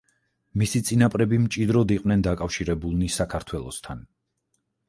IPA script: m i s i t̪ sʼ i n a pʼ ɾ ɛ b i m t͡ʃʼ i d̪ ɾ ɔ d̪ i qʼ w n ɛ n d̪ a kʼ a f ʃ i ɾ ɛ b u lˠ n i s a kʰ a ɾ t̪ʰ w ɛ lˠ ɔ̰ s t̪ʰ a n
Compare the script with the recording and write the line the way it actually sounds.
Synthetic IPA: m i s i t̪ sʼ i n a pʼ ɾ ɛ b i m t͡ʃʼ i d̪ ɾ ɔ d̪ i qʼ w n ɛ n d̪ a kʼ a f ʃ i ɾ ɛ b u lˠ n i s a kʰ a ɾ t̪ʰ w ɛ lˠ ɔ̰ s t̪ʰ a n